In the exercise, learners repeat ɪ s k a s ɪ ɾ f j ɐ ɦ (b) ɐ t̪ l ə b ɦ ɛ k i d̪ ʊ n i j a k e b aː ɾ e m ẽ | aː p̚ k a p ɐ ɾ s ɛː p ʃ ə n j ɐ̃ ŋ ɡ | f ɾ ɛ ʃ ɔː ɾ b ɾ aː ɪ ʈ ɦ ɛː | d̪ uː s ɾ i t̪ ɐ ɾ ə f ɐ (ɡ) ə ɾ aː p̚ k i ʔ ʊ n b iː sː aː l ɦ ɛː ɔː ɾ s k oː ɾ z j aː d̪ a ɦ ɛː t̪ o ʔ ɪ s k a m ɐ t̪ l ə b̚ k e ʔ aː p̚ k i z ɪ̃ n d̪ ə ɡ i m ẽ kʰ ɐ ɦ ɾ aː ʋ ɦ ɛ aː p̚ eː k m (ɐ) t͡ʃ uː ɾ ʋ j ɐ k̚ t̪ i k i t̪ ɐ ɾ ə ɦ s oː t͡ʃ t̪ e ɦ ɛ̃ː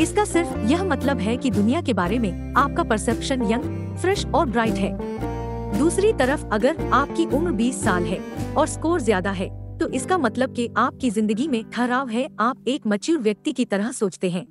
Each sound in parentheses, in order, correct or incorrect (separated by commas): incorrect, correct, correct